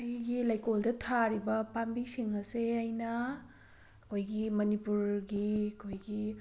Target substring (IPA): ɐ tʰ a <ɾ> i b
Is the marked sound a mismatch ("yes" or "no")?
no